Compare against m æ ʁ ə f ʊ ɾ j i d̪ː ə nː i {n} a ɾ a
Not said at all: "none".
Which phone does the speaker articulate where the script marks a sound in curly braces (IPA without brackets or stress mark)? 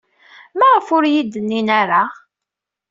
n